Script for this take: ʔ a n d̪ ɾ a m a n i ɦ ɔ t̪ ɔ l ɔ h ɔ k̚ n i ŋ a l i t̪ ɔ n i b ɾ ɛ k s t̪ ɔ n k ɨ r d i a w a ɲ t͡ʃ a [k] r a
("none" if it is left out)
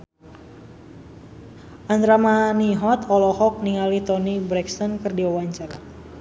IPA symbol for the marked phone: none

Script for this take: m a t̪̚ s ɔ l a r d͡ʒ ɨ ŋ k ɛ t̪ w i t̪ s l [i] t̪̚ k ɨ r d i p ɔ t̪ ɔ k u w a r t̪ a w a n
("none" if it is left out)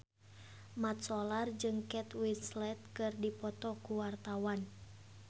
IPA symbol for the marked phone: ɛ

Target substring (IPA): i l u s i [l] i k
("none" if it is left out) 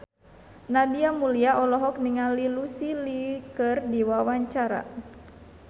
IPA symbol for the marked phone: l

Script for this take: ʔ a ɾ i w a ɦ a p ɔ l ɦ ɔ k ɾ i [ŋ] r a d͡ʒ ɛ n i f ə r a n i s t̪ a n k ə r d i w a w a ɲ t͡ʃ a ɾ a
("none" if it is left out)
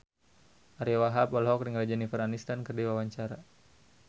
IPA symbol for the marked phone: ŋ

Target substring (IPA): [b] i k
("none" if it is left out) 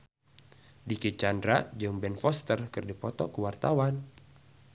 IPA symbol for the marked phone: d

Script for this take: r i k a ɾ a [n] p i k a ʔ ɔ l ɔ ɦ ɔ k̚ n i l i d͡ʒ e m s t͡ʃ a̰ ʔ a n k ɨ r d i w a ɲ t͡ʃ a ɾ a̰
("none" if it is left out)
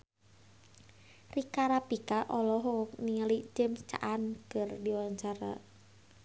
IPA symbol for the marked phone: none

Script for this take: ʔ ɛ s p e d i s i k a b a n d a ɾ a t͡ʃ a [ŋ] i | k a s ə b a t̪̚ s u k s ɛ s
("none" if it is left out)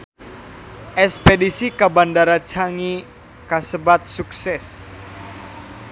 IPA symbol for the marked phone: ŋ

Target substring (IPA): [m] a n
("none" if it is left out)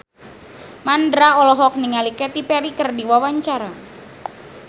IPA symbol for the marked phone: m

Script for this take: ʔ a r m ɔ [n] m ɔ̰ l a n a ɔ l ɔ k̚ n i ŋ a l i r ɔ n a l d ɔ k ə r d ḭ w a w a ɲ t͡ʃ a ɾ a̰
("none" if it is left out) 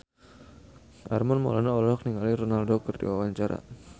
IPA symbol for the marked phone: n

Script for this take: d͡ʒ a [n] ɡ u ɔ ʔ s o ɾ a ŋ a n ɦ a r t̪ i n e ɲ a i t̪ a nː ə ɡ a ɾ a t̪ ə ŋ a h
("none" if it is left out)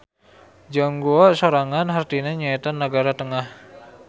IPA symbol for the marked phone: ŋ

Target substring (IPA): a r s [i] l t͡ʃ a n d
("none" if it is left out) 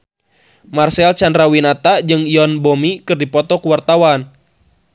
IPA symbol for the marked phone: ɛ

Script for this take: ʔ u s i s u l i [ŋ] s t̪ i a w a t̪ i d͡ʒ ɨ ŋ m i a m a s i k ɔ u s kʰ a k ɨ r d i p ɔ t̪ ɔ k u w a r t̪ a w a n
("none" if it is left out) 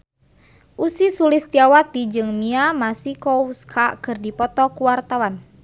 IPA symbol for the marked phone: none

